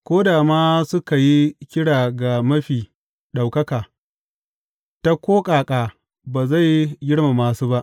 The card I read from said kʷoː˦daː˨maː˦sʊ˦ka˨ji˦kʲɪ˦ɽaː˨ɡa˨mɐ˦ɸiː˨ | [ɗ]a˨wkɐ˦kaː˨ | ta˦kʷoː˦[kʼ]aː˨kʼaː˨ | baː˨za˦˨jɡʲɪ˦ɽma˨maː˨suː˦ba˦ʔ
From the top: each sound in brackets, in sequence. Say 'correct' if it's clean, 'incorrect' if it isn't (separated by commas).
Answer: correct, correct